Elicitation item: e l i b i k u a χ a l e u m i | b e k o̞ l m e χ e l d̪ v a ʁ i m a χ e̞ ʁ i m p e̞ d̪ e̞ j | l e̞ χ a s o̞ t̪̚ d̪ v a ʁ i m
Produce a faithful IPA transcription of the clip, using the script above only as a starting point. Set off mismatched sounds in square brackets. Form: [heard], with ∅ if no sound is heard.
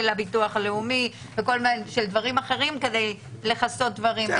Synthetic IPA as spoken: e l [a] b i [t] u a χ a l e u m i | [v] e k o̞ l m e [ʃ] e l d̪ v a ʁ i m a χ e̞ ʁ i m [k] e̞ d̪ e̞ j | l e̞ χ a s o̞ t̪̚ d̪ v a ʁ i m